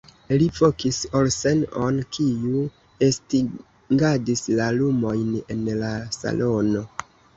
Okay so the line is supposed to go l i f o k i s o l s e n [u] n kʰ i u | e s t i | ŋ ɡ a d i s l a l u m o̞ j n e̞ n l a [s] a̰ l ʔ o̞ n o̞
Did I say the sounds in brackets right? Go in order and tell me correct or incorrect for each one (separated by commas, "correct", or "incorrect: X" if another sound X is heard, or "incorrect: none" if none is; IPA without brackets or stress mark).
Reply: incorrect: o, correct